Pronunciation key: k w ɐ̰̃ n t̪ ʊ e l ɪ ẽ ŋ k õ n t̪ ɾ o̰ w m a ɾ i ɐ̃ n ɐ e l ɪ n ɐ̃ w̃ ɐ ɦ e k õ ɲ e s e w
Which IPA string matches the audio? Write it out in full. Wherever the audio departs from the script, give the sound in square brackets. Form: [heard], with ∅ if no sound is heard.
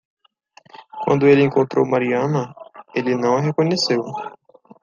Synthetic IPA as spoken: k w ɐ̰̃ n [d̪] ʊ e l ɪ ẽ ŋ k õ n t̪ ɾ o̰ w m a ɾ i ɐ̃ n ɐ e l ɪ n ɐ̃ w̃ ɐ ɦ e k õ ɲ e s e w

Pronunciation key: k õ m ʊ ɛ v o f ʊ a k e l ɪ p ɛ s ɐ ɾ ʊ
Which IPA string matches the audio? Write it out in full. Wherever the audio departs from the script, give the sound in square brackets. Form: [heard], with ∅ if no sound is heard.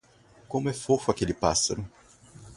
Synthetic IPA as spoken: k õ m ʊ ɛ [f] o f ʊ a k e l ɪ p [a] s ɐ ɾ ʊ

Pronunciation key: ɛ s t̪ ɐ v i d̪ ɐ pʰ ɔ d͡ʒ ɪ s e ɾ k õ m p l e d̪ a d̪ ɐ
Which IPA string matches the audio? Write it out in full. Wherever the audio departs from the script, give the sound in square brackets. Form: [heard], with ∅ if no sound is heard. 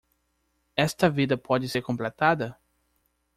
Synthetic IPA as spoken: ɛ s t̪ ɐ v i d̪ ɐ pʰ ɔ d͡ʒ ɪ s e ɾ k õ m p l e [t̪] a d̪ ɐ

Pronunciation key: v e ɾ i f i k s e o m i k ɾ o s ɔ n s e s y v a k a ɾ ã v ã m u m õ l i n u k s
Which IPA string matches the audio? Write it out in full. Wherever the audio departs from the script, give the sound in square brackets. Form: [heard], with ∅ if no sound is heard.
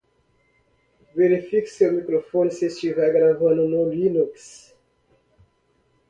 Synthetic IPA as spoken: v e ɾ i f i k s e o m i k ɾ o [f] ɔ n s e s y v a [ɡ] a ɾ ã v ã [n] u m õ l i n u k s

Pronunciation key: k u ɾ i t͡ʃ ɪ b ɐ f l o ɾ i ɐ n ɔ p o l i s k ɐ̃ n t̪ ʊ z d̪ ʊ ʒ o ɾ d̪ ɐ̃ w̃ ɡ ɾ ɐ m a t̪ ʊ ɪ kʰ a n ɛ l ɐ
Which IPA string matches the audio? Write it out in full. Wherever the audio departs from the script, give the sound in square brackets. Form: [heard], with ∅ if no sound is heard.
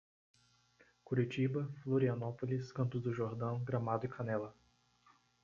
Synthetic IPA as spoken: k u ɾ i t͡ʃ [i] b ɐ f l o ɾ i ɐ n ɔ p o l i s k ɐ̃ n t̪ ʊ z d̪ ʊ ʒ o ɾ d̪ ɐ̃ w̃ ɡ ɾ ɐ m a [d̪] ʊ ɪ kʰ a n ɛ l ɐ

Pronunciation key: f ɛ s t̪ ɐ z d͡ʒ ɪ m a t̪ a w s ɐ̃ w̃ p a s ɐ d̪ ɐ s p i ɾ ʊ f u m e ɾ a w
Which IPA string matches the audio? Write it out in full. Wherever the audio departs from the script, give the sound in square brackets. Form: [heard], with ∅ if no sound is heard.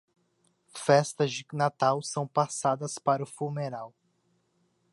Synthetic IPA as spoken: f ɛ s t̪ ɐ z d͡ʒ ɪ [n] a t̪ a w s ɐ̃ w̃ p a s [a] d̪ ɐ s p [a] ɾ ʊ f u m e ɾ a w

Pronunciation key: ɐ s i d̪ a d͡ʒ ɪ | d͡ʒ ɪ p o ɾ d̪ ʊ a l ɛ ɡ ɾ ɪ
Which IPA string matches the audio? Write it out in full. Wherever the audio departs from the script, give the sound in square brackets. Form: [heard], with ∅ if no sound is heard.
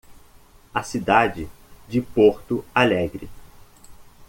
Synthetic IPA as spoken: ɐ s i d̪ a d͡ʒ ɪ | d͡ʒ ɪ p o ɾ [t̪] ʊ a l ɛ ɡ ɾ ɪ

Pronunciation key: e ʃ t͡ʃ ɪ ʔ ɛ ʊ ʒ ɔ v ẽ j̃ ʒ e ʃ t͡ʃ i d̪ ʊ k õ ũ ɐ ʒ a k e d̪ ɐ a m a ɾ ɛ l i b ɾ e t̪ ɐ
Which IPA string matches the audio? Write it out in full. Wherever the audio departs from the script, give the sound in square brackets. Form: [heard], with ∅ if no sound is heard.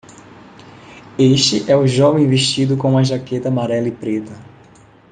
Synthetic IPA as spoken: e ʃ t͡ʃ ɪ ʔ ɛ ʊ ʒ ɔ v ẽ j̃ [v] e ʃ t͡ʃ i d̪ ʊ k õ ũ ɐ ʒ a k e [t̪] ɐ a m a ɾ ɛ l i [p] ɾ e t̪ ɐ

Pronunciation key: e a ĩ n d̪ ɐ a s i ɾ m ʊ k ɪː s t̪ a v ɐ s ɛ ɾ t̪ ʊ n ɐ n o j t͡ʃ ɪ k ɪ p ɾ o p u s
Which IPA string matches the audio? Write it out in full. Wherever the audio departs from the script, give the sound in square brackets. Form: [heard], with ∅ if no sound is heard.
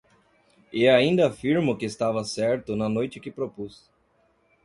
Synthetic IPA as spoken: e a ĩ n d̪ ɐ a [f] i ɾ m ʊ k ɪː s t̪ a v ɐ s ɛ ɾ t̪ ʊ n ɐ n o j t͡ʃ ɪ k ɪ p ɾ o p u s

